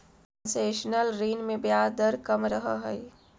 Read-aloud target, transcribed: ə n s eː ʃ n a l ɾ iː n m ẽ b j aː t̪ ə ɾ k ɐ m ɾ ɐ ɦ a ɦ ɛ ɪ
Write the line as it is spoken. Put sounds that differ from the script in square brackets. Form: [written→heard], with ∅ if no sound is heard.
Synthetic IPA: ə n s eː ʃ n [a→ə] l ɾ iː n m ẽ b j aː [t̪→d̪] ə ɾ k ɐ m ɾ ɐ ɦ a ɦ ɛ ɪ